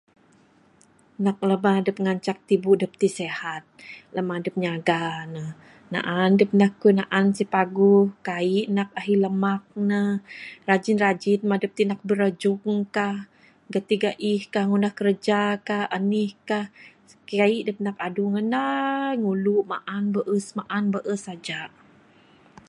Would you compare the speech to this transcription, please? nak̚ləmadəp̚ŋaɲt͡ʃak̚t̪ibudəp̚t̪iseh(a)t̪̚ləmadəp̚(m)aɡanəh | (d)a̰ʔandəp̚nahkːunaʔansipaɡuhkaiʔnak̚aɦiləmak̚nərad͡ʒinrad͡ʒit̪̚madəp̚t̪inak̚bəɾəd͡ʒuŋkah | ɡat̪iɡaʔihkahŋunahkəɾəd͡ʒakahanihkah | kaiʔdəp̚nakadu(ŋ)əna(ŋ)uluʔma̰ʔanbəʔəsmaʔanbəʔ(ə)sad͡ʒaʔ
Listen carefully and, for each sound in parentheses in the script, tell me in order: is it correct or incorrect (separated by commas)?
correct, incorrect, incorrect, correct, correct, correct